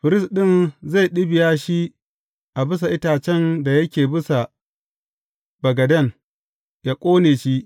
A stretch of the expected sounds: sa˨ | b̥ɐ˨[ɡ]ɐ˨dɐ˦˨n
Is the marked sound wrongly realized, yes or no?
no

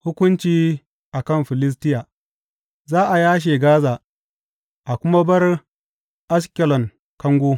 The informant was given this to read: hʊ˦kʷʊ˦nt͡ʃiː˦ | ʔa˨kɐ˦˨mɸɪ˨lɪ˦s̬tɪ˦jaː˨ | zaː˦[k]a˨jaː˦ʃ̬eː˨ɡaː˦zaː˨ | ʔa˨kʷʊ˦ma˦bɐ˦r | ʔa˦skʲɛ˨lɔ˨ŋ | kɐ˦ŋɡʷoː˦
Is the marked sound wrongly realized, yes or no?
yes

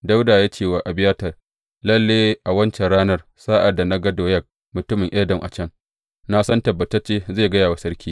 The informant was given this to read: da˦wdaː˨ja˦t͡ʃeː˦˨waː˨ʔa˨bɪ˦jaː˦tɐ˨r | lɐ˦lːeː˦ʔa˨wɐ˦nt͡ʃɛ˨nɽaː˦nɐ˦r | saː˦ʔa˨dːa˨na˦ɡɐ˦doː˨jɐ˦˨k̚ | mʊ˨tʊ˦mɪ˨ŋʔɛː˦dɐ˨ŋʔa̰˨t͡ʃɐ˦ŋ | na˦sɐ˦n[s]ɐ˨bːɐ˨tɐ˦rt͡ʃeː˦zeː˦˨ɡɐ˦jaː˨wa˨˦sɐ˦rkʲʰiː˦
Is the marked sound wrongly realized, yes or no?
yes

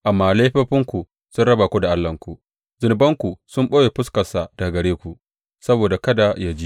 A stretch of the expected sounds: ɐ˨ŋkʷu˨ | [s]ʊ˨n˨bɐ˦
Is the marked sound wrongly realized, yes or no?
yes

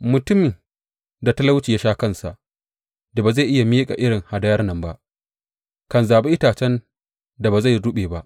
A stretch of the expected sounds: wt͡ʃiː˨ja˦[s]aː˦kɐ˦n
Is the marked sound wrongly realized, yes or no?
yes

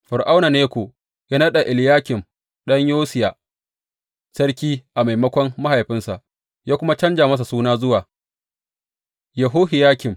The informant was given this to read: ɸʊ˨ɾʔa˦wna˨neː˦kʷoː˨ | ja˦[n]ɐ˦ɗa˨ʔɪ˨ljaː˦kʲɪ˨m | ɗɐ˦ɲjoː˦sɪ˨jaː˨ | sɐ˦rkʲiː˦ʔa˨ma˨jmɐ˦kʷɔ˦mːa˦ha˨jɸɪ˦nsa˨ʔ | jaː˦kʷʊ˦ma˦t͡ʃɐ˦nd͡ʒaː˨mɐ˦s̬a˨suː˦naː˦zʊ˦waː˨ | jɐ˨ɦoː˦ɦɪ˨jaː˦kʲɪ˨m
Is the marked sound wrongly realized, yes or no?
no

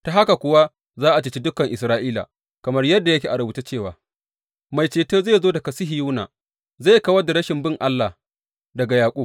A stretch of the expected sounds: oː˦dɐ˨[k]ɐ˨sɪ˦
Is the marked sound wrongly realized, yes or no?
no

